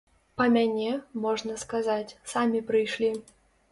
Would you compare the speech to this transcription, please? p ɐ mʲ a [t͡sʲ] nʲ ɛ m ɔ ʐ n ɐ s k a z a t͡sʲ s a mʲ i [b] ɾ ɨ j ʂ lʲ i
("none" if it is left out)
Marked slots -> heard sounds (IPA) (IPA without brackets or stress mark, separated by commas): none, p